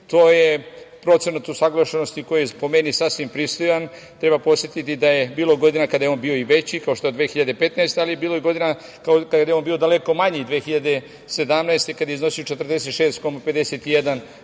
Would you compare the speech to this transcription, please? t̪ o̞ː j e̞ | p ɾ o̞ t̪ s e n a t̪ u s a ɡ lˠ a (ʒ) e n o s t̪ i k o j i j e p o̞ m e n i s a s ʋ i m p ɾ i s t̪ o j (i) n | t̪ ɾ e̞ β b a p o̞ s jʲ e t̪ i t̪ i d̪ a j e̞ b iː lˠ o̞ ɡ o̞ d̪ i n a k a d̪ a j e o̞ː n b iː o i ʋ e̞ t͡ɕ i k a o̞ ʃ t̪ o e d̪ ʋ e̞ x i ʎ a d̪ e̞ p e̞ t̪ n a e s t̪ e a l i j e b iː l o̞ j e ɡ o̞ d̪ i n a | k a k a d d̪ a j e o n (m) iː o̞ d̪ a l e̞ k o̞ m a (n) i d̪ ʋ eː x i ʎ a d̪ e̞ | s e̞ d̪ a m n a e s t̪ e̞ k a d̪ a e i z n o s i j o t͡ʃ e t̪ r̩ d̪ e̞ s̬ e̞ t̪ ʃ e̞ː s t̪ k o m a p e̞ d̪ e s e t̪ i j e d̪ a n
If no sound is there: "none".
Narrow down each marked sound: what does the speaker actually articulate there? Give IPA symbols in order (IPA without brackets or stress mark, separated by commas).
ʃ, a, b, ɲ